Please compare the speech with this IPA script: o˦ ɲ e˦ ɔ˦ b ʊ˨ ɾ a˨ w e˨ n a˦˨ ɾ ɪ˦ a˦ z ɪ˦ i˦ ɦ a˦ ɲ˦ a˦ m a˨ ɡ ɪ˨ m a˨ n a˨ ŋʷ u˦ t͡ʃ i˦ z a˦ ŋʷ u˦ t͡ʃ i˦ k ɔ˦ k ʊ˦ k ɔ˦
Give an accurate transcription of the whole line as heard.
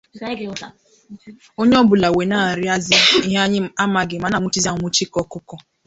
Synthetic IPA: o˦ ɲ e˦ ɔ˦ b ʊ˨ l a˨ w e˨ n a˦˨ ɾ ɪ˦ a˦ z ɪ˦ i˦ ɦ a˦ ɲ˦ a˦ m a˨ ɡ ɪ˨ m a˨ n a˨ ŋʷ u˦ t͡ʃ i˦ z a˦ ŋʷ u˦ t͡ʃ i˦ k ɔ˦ k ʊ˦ k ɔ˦